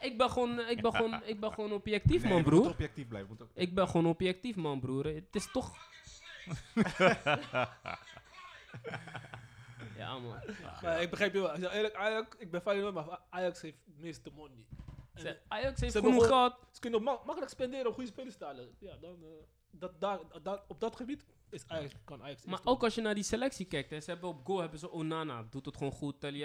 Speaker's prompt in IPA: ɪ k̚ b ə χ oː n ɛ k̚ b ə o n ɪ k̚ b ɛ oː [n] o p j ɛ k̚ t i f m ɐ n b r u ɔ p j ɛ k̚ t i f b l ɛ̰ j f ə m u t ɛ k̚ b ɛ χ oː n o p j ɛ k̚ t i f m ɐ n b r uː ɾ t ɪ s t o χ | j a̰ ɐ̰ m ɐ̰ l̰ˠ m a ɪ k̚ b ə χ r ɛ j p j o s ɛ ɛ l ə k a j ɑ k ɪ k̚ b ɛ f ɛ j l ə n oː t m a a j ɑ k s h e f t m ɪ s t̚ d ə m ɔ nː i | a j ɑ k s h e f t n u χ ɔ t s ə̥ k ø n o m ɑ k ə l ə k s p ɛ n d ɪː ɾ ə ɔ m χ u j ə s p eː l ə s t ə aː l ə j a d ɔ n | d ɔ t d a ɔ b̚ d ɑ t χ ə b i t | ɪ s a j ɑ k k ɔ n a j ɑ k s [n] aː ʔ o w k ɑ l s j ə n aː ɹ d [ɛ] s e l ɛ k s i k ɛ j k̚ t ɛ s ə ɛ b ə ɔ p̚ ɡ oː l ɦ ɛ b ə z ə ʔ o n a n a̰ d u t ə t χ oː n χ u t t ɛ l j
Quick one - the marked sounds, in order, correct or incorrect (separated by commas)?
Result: correct, incorrect, incorrect